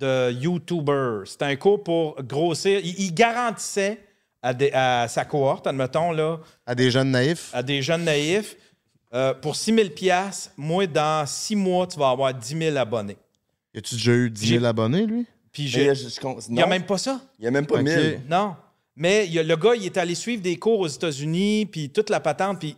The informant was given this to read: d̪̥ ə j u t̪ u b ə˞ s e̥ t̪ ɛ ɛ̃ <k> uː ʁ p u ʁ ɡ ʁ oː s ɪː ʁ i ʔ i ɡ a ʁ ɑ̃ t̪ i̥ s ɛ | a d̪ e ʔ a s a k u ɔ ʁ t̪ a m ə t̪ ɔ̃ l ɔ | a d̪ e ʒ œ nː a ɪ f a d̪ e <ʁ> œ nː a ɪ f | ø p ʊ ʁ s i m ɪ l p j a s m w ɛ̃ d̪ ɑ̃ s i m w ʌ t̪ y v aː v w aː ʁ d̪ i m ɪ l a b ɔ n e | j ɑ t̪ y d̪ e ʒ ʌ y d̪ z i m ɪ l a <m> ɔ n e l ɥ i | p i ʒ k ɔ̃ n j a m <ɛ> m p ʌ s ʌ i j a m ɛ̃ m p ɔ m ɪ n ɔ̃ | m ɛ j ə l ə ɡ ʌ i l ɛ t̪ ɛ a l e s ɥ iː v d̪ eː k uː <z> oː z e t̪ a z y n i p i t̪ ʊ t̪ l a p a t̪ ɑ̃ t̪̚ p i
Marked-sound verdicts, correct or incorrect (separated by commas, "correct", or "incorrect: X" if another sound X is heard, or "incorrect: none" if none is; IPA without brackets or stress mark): correct, incorrect: ʒ, incorrect: b, incorrect: ɛ̃, incorrect: ʁ